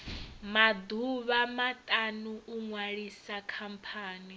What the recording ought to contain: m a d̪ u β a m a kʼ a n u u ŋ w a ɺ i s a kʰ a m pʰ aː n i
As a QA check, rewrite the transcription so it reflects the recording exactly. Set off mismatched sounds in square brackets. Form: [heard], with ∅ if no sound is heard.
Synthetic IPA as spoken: m a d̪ u β a m a [tʼ] a n u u ŋ w a ɺ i s a kʰ a m pʰ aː n i

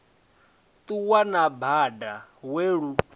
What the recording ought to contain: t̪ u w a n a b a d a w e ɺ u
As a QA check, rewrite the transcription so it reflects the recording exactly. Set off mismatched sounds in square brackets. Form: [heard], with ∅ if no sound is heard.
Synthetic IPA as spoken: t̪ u w a n a b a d a w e ɺ u

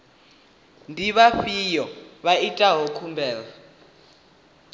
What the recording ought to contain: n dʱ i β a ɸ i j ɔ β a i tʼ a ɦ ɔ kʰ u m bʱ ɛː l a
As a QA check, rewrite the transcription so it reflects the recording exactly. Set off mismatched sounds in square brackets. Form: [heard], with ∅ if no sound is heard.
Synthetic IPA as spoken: n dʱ i β a ɸ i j ɔ β a i tʼ a ɦ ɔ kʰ u m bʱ ɛː l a

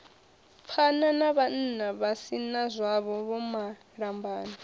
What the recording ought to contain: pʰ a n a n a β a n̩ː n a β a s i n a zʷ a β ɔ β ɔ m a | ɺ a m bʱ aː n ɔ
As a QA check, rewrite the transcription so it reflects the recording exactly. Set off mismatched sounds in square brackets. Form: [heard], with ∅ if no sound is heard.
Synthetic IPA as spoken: pʰ a n a n a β a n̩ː n a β a s i n a zʷ a β ɔ β ɔ m a | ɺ a m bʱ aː n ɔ

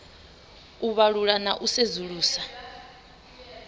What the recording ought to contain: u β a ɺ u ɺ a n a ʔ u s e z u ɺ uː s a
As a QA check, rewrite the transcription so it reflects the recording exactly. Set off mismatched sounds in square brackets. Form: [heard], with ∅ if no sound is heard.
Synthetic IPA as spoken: u β a ɺ u ɺ a n a ʔ u s e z u ɺ uː s a

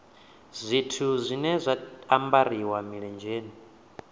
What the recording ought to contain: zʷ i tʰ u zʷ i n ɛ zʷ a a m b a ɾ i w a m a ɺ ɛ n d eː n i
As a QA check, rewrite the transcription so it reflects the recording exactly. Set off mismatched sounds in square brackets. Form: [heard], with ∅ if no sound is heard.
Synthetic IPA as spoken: zʷ i tʰ u zʷ i n ɛ zʷ a a m b a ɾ i w a m [i] ɺ ɛ n [d͡ʒ] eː n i

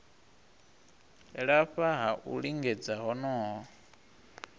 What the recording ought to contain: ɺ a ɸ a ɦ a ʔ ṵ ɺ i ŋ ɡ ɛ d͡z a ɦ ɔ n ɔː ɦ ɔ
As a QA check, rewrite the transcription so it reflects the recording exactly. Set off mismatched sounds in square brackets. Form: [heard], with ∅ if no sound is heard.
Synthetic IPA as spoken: ɺ a ɸ a ɦ a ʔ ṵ ɺ i ŋ ɡ ɛ d͡z a ɦ ɔ n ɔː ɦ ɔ

